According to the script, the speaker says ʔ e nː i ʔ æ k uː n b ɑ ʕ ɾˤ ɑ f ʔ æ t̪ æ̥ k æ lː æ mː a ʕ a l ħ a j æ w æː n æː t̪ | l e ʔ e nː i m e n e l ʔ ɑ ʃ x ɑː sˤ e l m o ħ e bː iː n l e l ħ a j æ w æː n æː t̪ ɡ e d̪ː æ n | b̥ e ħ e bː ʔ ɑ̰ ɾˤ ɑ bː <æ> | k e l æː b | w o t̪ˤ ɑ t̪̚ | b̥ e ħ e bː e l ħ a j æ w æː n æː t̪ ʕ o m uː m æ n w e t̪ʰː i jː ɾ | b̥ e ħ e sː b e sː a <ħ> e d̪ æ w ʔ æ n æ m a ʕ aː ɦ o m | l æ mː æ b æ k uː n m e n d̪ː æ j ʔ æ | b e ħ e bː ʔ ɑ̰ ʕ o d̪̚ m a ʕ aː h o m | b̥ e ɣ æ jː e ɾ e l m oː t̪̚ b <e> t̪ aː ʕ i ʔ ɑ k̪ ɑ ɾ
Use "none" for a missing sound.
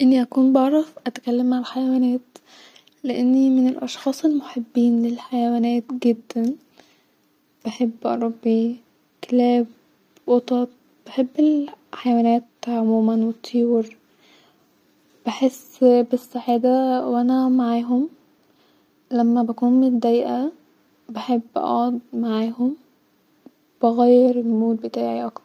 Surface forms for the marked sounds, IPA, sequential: i, ħ, e

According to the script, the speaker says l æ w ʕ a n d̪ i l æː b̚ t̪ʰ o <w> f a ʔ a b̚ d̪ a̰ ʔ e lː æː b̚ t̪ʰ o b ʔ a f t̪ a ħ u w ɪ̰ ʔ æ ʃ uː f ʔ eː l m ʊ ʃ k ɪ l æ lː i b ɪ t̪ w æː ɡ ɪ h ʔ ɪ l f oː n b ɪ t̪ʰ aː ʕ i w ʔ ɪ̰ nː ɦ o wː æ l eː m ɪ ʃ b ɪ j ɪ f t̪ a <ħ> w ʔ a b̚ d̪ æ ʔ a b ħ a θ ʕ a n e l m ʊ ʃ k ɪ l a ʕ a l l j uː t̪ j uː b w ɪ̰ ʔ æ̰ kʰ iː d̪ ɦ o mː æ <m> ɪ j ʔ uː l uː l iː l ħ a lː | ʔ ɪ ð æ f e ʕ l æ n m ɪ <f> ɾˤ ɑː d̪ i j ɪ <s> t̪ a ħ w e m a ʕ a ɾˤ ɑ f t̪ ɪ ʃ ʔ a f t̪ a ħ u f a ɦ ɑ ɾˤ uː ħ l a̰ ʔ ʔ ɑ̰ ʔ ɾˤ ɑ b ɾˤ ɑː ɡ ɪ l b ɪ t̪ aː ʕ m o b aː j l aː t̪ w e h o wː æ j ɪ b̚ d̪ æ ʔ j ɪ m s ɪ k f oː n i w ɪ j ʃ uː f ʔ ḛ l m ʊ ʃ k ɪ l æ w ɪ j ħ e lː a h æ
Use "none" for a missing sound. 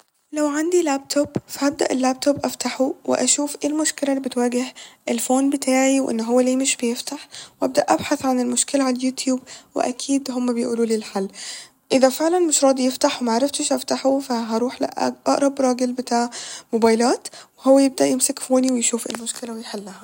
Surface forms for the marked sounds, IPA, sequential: b, ħ, b, ʃ, f

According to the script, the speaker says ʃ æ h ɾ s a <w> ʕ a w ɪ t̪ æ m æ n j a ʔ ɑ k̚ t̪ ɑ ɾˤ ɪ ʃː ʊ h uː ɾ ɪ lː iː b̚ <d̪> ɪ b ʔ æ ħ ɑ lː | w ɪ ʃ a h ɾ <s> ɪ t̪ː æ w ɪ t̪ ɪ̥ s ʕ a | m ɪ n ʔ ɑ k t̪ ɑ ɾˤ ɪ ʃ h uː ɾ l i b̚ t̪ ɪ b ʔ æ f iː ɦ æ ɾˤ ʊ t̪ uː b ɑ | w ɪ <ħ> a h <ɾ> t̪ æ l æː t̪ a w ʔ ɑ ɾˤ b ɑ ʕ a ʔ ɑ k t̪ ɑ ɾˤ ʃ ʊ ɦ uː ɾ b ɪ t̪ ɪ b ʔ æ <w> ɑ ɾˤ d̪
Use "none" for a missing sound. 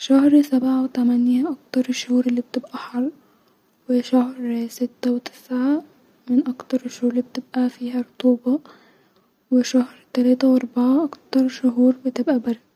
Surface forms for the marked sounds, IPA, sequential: b, t̪, s, ʃ, ɾ, b

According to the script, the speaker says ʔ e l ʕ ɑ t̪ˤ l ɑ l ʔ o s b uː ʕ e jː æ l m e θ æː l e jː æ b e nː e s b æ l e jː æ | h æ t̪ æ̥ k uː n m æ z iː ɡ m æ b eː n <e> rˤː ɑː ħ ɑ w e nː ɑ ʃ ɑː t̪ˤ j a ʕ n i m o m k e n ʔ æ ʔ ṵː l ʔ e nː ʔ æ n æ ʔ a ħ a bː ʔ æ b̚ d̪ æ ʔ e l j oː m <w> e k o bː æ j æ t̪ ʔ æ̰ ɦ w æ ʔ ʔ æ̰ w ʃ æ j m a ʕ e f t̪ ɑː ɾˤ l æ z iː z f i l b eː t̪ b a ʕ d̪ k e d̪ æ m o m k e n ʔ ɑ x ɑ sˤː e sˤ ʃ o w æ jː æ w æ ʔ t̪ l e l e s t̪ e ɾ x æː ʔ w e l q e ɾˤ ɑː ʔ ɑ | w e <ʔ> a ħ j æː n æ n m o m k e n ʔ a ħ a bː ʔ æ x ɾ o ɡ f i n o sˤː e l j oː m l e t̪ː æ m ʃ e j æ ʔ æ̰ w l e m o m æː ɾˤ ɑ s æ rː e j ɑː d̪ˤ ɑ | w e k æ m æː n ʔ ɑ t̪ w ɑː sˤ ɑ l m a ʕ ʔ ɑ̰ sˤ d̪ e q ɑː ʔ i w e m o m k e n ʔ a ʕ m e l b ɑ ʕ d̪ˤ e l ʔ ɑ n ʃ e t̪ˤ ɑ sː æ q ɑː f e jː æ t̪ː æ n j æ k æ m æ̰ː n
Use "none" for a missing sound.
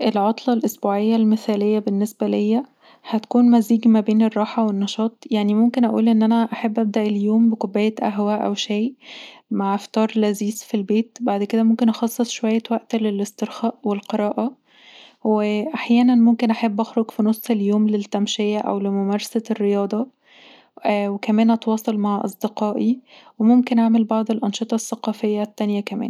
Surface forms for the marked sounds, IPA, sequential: e, b, ʔ

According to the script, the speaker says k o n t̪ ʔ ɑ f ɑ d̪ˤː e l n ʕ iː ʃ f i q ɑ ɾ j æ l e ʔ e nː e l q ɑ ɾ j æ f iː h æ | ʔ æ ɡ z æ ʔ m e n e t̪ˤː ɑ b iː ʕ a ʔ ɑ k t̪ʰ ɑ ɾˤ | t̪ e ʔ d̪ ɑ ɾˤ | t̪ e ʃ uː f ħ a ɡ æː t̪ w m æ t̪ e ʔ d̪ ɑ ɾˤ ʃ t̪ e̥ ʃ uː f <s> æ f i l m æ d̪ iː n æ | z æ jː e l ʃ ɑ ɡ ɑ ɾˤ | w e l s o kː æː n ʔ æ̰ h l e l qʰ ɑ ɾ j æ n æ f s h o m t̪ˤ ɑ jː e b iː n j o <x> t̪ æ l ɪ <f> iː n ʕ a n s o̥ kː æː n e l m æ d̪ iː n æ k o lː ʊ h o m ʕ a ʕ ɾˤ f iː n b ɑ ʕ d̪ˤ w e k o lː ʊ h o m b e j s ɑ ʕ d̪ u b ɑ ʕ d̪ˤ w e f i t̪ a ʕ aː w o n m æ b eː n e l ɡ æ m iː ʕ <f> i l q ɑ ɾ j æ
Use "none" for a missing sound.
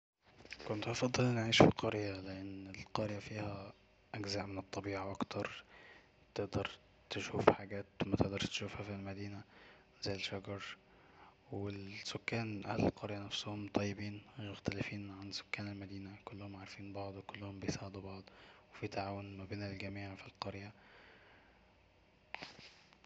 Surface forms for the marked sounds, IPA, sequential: h, x, f, f

